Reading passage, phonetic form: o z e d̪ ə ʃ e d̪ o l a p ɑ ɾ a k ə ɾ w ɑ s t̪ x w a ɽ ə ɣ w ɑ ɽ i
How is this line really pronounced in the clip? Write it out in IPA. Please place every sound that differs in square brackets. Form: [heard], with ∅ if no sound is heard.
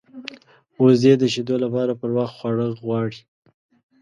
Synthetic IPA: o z e d̪ ə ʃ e d̪ o l a p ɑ ɾ a [p] ə ɾ w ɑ [x] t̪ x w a ɽ ə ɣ w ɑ ɽ i